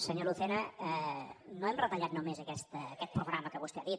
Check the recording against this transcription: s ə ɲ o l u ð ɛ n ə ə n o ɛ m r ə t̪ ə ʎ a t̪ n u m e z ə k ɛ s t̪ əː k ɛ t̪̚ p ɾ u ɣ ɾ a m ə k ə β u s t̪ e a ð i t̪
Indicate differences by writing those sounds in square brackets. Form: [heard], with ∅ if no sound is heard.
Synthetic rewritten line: s ə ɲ o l u [θ] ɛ n ə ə n o ɛ m r ə t̪ ə ʎ a t̪ n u m e z ə k ɛ s t̪ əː k ɛ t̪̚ p ɾ u ɣ ɾ a m ə k ə β u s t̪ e a ð i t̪